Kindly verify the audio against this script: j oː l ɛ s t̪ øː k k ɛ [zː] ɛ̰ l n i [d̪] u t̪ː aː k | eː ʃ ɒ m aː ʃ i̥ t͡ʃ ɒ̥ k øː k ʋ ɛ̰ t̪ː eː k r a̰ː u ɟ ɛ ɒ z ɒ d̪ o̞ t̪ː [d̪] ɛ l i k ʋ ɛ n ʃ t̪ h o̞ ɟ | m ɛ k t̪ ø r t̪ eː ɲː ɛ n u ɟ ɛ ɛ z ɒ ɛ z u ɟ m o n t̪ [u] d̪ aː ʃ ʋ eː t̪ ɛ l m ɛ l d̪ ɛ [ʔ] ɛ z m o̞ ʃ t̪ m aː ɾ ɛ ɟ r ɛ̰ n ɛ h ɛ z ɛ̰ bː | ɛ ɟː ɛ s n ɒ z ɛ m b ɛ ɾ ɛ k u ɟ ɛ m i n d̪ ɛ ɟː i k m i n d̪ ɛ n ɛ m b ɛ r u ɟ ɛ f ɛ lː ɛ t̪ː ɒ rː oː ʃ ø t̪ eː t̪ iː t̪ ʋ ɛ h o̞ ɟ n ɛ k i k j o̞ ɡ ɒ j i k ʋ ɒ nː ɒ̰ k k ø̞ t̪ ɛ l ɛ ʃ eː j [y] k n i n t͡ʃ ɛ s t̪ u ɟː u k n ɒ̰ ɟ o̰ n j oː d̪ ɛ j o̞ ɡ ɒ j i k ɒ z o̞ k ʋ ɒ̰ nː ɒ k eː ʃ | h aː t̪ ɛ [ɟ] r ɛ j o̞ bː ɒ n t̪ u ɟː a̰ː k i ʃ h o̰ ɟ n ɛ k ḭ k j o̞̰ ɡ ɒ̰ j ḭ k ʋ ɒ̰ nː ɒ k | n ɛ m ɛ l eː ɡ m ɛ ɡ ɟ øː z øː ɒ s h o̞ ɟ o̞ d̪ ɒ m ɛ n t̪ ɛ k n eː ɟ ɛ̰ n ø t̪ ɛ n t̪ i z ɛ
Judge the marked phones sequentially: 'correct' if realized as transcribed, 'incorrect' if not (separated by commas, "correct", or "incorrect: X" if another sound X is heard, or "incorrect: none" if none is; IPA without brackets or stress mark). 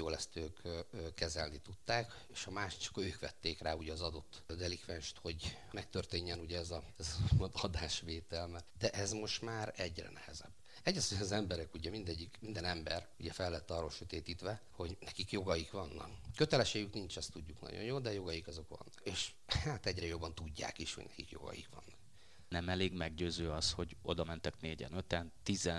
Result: incorrect: z, incorrect: t̪, correct, incorrect: ɒ, correct, correct, correct